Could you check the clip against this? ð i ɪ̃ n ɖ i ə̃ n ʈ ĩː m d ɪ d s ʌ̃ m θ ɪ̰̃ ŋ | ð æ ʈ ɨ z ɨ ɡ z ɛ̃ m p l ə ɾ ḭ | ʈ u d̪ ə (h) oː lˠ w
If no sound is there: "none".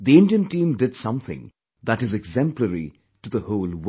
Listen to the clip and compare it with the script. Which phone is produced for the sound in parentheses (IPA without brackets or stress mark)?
h